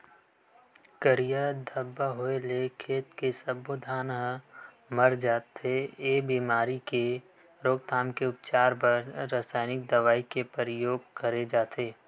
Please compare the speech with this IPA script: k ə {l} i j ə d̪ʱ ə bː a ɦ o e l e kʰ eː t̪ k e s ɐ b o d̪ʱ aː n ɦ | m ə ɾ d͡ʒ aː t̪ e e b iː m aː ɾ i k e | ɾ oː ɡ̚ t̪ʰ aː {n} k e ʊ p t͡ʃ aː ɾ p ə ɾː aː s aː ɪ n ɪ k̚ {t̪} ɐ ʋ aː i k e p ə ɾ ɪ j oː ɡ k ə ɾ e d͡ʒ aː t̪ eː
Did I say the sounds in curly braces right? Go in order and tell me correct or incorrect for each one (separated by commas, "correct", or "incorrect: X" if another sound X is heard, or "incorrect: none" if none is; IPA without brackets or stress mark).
incorrect: ɾ, incorrect: m, incorrect: d̪